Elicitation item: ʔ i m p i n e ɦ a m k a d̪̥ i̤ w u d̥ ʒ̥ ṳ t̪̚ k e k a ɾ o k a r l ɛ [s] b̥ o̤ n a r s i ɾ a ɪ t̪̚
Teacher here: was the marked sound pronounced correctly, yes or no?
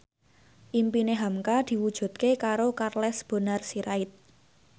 yes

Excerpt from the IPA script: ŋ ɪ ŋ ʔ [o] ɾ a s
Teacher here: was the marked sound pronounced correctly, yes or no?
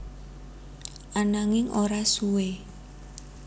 yes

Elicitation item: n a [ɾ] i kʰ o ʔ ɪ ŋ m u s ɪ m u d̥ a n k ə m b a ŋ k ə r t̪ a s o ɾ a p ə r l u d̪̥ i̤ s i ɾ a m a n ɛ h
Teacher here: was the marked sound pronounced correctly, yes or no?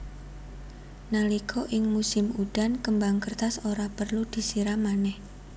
no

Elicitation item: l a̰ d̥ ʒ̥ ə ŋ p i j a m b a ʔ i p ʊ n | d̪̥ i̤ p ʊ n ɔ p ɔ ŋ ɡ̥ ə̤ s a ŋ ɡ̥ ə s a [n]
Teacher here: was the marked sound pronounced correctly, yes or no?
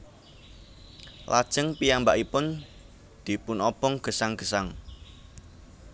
no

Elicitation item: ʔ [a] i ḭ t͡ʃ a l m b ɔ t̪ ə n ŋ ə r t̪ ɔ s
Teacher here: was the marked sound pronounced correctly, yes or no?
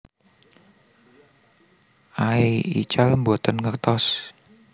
yes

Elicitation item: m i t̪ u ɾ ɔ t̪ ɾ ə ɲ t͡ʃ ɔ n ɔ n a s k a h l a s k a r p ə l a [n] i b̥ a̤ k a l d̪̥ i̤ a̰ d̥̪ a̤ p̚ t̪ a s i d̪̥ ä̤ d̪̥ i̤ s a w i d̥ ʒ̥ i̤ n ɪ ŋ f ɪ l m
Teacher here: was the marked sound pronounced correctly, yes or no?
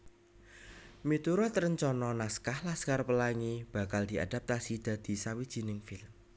no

